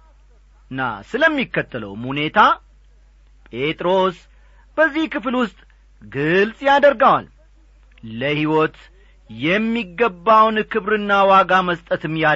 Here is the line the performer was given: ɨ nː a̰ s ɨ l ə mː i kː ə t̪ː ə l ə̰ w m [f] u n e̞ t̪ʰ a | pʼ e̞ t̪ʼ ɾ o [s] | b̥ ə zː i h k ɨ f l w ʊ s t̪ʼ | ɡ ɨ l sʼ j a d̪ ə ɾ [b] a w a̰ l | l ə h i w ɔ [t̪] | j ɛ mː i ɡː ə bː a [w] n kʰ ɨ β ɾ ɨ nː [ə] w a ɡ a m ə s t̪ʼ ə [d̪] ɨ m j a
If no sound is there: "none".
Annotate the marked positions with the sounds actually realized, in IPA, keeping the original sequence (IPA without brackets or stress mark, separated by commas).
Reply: h, s, ɡ, t̪, w, a, t̪